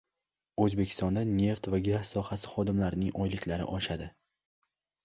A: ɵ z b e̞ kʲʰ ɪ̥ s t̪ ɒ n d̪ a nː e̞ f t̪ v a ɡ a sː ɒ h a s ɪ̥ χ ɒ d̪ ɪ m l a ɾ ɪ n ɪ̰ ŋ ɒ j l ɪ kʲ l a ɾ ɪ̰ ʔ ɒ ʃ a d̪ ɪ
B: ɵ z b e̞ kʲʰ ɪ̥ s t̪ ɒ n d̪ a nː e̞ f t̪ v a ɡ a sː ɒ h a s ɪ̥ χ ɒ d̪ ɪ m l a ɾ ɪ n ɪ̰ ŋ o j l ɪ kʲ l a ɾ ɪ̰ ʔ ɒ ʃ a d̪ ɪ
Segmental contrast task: A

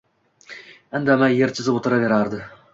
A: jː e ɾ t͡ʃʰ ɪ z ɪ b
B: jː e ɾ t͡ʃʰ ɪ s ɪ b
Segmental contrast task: A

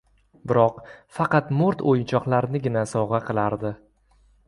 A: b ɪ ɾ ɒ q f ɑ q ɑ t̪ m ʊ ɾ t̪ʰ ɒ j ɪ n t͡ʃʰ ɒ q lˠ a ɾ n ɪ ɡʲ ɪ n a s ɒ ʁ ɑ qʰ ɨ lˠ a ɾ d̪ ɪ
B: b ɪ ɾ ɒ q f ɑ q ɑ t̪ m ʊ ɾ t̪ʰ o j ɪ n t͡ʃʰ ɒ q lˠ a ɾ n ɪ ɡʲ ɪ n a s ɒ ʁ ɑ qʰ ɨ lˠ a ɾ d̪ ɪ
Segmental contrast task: B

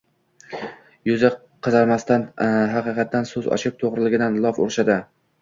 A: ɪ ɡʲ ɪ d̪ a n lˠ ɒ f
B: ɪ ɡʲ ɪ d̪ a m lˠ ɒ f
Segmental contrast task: A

